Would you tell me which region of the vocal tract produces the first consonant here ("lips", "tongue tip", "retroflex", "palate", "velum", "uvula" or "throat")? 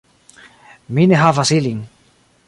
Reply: lips